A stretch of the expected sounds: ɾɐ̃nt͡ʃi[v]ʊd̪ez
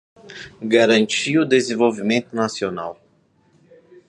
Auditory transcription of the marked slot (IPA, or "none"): none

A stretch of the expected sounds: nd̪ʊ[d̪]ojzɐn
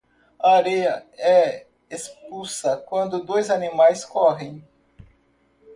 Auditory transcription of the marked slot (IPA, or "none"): d̪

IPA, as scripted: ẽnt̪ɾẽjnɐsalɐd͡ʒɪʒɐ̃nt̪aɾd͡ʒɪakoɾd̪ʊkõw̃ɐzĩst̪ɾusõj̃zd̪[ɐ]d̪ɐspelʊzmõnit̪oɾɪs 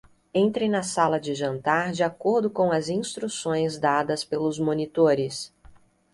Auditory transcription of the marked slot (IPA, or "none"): a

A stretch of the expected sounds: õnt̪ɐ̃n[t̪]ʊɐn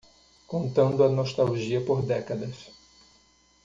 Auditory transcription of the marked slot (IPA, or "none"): d̪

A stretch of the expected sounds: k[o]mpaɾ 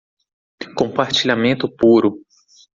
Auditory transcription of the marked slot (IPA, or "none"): õ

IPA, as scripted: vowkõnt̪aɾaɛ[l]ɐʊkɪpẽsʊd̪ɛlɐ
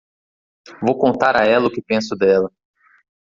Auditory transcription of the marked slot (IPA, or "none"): l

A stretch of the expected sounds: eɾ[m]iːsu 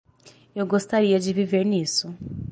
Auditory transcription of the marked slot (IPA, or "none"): n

